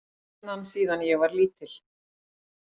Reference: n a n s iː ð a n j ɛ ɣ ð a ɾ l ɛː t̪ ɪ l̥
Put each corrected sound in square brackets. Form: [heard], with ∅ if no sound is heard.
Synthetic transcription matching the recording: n a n s iː ð a n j ɛ ɣ [v] a ɾ l [iː] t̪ ɪ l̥